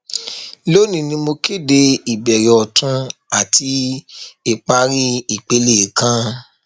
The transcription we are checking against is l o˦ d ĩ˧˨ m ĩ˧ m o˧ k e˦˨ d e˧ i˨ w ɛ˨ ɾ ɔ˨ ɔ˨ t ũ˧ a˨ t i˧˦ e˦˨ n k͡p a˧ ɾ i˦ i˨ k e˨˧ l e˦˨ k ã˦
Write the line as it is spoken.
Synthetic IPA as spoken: l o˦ n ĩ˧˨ n ĩ˧ m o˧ k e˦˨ d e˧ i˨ b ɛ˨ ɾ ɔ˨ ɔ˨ t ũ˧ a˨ t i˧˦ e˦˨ k͡p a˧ ɾ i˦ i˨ k͡p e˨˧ l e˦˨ k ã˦